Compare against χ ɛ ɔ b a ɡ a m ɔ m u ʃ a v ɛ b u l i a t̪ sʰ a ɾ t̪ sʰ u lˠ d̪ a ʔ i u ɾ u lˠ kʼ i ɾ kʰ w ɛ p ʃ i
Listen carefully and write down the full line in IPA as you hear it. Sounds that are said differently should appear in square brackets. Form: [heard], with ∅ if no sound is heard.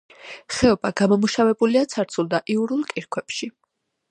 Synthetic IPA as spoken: χ ɛ ɔ b a ɡ a m ɔ m u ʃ a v ɛ b u l i a t̪ sʰ a ɾ t̪ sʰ u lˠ d̪ a ʔ i u ɾ u lˠ kʼ i ɾ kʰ w ɛ p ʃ i